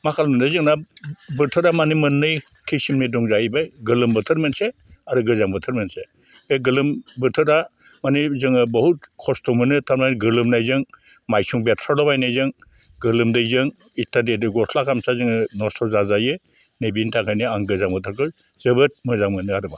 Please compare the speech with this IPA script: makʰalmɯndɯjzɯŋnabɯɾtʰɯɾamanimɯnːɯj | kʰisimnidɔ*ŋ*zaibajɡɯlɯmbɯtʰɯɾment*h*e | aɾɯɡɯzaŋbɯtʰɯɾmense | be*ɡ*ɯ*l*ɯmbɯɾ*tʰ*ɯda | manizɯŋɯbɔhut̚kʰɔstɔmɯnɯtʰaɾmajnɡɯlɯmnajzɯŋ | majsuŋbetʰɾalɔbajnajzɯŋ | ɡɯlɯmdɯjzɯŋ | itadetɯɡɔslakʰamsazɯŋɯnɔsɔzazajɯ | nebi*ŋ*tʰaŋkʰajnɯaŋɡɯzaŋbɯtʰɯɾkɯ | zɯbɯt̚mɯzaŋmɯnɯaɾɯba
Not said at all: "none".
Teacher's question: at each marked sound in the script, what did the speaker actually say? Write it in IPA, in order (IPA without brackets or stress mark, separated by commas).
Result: ŋ, s, ɡ, l, tʰ, n